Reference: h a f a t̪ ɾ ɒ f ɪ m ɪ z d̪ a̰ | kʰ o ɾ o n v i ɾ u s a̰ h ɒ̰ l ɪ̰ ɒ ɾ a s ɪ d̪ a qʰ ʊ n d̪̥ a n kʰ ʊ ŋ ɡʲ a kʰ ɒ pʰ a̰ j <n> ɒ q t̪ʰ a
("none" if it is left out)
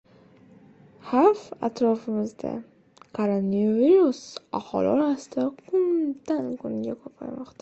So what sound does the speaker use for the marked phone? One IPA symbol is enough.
m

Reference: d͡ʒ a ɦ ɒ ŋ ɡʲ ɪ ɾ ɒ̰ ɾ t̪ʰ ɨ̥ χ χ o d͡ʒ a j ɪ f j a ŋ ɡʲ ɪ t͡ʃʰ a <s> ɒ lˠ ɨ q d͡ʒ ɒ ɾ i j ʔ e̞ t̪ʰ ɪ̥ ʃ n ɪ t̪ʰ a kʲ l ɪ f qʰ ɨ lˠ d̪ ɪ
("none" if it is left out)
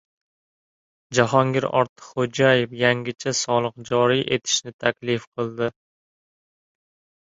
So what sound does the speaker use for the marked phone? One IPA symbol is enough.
s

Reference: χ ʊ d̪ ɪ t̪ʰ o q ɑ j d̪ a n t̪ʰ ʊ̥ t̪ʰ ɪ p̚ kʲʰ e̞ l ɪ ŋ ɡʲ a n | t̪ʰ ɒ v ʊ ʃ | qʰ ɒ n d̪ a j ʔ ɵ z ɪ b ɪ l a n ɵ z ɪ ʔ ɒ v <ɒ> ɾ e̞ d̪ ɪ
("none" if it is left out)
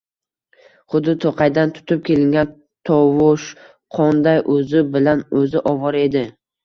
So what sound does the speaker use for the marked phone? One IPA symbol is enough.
ɒ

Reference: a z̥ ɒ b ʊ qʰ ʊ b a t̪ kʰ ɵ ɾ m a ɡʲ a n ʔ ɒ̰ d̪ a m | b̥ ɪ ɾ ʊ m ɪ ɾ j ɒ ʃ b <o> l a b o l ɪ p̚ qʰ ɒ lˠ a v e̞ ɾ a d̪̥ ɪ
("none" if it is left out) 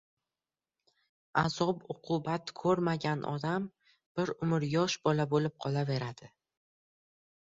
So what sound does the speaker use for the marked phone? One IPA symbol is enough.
ɒ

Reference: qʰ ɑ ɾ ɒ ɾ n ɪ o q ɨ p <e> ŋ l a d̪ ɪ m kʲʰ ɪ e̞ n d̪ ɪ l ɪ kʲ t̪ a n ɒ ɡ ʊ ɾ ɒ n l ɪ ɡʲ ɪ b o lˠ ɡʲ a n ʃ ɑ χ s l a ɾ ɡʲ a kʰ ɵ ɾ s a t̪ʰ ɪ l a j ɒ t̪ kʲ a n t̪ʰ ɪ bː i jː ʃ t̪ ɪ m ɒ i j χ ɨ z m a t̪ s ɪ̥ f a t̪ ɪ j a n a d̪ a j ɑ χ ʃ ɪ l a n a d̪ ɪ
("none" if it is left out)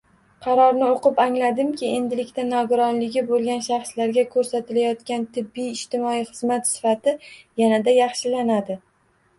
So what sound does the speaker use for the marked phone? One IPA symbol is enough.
a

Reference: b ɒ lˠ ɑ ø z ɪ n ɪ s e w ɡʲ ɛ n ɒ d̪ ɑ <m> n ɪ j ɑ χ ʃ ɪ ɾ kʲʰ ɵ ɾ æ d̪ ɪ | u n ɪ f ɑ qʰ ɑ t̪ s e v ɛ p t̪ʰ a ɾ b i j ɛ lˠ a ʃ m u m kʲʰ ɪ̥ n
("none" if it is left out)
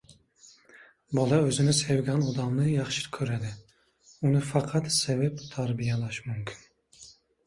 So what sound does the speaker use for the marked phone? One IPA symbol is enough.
m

